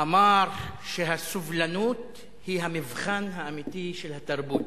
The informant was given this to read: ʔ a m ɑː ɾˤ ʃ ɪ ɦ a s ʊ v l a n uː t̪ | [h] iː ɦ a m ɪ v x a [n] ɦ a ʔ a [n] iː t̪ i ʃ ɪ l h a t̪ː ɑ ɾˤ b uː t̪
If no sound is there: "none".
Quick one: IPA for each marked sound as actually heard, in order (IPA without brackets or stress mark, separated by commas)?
h, n, m